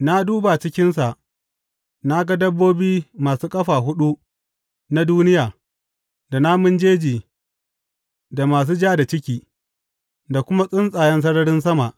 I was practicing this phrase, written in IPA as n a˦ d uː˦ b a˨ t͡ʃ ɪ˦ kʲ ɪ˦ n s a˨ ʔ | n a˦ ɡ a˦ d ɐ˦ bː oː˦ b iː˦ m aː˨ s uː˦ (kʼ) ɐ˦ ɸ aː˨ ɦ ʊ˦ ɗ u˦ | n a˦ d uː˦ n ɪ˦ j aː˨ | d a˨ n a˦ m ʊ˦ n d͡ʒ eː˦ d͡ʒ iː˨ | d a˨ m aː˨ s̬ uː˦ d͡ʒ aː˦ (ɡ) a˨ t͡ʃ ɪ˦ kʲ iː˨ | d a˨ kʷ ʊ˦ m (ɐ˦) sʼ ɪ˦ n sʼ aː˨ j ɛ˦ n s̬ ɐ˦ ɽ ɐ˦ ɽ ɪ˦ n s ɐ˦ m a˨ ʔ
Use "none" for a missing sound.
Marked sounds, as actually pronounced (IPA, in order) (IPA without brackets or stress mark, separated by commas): kʼ, d, a˦